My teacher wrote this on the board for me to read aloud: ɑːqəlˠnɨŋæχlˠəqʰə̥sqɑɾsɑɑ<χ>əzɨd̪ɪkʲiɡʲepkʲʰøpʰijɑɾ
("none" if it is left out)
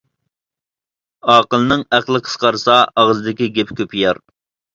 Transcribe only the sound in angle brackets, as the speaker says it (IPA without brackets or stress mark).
ʁ